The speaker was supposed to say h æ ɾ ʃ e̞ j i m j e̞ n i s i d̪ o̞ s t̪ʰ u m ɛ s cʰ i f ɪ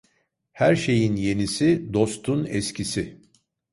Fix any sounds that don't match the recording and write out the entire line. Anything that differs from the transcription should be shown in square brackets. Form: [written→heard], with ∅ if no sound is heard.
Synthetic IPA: h æ ɾ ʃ e̞ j i [m→n] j e̞ n i s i d̪ o̞ s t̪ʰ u [m→n] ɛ s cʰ i [f→s] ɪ